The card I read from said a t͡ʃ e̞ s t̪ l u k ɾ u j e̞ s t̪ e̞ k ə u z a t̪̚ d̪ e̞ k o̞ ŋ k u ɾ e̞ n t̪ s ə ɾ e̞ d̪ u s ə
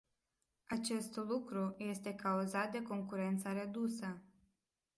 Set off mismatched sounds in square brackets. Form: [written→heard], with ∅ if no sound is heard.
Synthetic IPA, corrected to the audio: a t͡ʃ e̞ s t̪ l u k ɾ u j e̞ s t̪ e̞ k [ə→a] u z a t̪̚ d̪ e̞ k o̞ ŋ k u ɾ e̞ n t̪ s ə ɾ e̞ d̪ u s ə